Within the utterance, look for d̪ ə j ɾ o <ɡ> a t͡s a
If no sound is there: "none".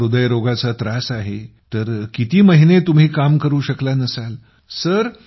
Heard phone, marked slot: ɡ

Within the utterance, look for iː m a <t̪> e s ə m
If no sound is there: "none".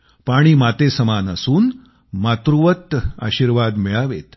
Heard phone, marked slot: t̪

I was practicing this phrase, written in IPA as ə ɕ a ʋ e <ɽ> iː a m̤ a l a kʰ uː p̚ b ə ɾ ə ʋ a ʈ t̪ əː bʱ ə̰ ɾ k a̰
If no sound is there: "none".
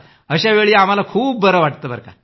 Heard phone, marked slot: ɭ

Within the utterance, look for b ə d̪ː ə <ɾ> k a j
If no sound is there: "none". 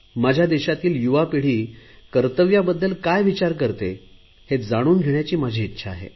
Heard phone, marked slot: l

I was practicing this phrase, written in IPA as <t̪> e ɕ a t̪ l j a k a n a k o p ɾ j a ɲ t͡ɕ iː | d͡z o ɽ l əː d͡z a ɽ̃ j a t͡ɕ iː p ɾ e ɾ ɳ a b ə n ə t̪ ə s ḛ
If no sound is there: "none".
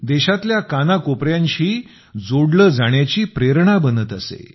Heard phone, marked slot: d̪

